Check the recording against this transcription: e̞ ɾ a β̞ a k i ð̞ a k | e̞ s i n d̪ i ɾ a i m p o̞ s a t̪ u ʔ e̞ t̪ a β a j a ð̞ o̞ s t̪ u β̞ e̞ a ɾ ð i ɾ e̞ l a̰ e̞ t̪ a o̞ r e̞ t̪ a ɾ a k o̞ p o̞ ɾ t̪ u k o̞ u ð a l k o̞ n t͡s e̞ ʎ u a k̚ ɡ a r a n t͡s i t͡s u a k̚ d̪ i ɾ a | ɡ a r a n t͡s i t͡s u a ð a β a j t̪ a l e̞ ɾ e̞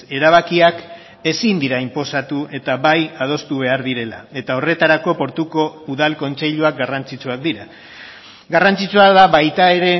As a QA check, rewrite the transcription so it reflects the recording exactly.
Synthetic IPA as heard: e̞ ɾ a β̞ a k i a k | e̞ s i n d̪ i ɾ a i m p o̞ s a t̪ u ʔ e̞ t̪ a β a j a ð̞ o̞ s t̪ u β̞ e̞ a ɾ ð i ɾ e̞ l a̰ e̞ t̪ a o̞ r e̞ t̪ a ɾ a k o̞ p o̞ ɾ t̪ u k o̞ u ð a l k o̞ n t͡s e̞ ʎ u a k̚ ɡ a r a n t͡s i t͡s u a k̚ d̪ i ɾ a | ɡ a r a n t͡s i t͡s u a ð a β a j t̪ a e̞ ɾ e̞